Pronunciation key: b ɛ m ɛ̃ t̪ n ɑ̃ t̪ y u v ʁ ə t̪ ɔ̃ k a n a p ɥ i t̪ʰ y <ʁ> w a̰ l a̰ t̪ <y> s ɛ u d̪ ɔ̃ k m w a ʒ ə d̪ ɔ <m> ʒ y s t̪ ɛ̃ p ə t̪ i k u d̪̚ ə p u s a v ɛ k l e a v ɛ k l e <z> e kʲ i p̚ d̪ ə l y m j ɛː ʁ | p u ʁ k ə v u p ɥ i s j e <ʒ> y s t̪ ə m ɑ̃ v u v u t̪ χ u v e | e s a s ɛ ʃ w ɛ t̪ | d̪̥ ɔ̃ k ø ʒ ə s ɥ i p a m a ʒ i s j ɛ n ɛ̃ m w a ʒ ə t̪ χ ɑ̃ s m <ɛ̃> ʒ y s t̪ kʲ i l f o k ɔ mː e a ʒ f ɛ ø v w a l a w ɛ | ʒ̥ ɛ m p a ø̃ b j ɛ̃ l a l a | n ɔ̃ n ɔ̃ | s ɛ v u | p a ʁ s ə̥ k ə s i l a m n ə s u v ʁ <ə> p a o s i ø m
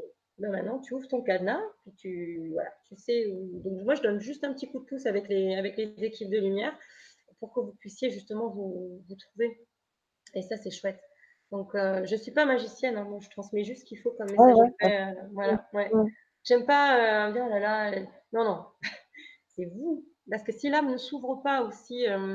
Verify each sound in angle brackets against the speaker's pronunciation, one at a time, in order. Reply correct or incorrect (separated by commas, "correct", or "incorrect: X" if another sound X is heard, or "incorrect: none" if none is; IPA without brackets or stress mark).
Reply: incorrect: v, correct, incorrect: n, correct, correct, incorrect: ɛ, correct